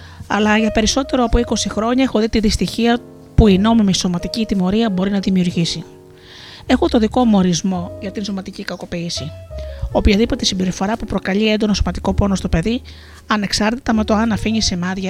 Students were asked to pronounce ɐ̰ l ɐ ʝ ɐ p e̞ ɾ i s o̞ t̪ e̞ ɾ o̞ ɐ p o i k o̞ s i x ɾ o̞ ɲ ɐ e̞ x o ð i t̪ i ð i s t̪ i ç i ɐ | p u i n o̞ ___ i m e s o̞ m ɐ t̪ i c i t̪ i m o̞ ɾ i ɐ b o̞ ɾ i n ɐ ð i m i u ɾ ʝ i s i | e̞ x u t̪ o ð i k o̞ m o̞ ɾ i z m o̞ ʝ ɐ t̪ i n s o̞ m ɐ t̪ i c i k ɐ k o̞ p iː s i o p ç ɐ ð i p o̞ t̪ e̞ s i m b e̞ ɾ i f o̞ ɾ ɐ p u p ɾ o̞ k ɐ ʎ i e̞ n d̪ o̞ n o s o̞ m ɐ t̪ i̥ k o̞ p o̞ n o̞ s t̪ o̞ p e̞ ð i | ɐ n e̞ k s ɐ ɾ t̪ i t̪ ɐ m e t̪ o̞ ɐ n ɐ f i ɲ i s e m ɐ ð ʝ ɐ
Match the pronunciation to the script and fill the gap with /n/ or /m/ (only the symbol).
m